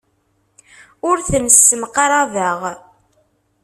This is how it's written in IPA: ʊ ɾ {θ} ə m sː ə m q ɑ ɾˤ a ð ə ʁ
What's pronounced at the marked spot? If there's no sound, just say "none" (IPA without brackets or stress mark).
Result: θ